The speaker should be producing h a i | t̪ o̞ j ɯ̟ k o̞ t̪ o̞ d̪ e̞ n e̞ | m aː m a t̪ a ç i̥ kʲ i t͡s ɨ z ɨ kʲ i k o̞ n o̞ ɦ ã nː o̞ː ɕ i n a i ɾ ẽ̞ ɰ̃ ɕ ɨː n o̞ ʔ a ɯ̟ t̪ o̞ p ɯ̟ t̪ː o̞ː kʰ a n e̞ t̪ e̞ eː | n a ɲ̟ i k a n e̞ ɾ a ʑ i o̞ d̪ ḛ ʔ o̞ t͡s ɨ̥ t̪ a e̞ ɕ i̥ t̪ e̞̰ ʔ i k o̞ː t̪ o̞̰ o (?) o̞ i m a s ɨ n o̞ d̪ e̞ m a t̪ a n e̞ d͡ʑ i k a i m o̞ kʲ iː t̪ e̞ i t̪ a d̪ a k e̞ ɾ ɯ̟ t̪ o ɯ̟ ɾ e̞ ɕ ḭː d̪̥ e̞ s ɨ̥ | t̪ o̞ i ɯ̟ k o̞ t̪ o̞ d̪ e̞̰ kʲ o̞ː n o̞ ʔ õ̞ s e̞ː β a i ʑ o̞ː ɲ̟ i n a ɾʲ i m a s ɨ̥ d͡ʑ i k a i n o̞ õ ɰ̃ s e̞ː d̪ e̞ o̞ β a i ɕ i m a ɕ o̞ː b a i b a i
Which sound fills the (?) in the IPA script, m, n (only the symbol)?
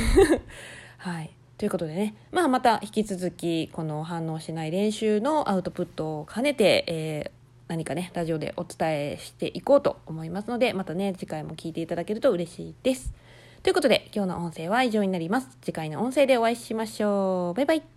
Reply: m